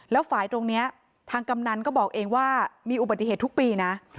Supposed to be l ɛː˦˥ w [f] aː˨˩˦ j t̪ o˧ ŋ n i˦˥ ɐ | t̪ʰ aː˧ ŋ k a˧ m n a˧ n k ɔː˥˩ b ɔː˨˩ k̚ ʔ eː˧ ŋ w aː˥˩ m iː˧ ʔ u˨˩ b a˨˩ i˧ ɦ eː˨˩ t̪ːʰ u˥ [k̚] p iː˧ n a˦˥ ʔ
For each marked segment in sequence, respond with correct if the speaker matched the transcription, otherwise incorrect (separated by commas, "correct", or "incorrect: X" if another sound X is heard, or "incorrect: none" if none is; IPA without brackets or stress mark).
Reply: correct, correct